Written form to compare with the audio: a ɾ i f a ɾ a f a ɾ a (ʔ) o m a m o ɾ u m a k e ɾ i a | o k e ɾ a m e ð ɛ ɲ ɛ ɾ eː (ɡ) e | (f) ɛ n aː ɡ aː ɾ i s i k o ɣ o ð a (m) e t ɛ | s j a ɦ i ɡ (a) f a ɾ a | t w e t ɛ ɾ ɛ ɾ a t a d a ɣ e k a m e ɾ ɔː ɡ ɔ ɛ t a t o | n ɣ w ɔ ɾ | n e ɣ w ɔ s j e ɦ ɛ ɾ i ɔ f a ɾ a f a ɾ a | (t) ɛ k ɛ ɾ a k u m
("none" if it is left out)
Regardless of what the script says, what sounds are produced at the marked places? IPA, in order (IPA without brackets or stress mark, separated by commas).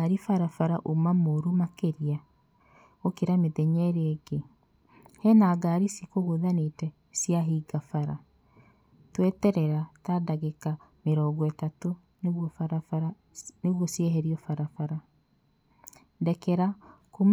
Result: ʔ, ɡ, h, n, a, d